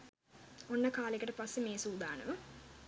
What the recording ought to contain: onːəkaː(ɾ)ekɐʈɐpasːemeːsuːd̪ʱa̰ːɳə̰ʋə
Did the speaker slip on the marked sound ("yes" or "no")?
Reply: yes